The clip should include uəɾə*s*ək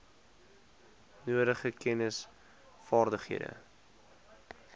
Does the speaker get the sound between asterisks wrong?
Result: yes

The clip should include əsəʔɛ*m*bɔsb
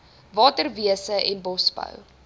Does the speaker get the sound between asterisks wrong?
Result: yes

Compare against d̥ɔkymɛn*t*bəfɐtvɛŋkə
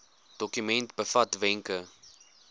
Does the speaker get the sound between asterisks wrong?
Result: no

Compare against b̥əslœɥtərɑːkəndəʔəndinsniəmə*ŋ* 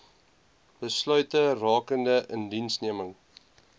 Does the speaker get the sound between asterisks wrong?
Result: no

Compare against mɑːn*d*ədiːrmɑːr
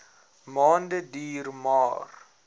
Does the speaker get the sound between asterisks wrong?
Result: no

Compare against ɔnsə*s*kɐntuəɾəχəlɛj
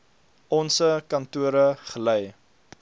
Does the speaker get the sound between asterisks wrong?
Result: yes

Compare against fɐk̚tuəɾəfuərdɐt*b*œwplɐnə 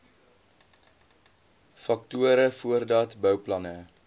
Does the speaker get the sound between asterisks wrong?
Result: no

